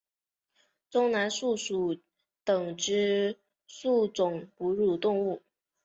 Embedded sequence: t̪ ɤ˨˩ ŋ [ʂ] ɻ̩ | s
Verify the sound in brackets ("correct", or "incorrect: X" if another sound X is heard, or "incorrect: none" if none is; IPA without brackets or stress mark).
incorrect: ʈ͡ʂ